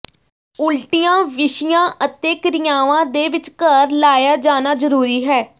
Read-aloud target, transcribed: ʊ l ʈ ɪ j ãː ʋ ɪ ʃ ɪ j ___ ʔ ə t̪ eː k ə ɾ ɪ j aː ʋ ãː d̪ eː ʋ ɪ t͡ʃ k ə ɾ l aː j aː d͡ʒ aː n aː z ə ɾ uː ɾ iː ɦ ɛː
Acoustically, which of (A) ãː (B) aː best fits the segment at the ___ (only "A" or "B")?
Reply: A